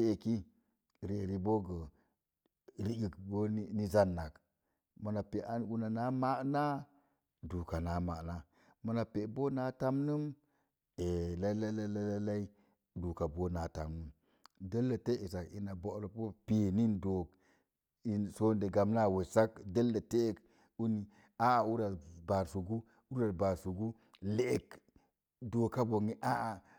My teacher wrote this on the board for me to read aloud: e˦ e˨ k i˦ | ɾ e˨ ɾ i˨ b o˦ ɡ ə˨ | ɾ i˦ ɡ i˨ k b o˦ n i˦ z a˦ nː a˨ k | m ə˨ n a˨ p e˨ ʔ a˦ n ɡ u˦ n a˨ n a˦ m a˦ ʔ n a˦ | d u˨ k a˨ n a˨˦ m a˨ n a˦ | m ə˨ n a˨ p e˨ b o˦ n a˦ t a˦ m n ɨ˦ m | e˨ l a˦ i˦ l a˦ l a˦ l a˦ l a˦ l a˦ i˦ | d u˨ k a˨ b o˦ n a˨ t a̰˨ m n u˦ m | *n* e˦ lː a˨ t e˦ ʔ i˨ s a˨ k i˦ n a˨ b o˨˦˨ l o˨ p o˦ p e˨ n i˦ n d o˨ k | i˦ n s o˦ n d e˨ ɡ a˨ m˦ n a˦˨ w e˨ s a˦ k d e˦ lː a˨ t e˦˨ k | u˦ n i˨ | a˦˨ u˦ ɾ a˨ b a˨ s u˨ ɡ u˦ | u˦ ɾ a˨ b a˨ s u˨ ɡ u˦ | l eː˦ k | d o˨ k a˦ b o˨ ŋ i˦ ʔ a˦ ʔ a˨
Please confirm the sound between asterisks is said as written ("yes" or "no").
no